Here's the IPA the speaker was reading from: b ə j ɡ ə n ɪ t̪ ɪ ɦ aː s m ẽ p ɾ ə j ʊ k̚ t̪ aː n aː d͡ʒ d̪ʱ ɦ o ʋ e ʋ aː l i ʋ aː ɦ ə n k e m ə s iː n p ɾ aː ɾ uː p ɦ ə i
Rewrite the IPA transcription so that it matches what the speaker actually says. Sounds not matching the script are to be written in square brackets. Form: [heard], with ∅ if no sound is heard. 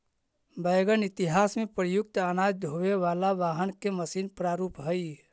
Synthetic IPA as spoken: b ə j ɡ ə n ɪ t̪ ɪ ɦ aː s m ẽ p ɾ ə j ʊ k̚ t̪ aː n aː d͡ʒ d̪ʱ ɦ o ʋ e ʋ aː l [a] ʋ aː ɦ ə n k e m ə s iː n p ɾ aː ɾ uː p ɦ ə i